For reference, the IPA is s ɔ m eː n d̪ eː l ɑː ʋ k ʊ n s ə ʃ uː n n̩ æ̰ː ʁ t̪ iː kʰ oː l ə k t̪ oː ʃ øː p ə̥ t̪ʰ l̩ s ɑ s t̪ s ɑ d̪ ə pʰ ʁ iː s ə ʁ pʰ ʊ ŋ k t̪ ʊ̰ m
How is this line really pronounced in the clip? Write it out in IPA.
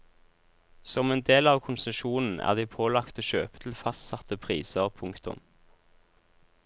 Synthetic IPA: s ɔ m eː n d̪ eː l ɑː ʋ kʰ ʊ n s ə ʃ uː n n̩ æ̰ː ʁ d̪ iː pʰ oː l ɑ k t̪ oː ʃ øː p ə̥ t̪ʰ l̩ f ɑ s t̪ s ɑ t̪ ə pʰ ʁ iː s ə ʁ pʰ ʊ ŋ k t̪ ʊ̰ m